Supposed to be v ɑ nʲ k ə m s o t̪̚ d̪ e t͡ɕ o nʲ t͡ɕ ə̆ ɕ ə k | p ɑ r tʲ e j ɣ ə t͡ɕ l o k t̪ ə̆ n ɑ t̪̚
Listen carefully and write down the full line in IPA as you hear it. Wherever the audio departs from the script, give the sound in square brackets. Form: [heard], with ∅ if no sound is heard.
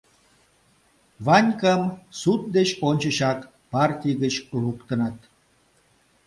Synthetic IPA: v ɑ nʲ k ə m s [u] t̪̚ d̪ e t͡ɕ o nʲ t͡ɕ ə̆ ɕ [ɑ] k | p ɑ r tʲ [i] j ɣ ə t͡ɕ l [u] k t̪ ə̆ n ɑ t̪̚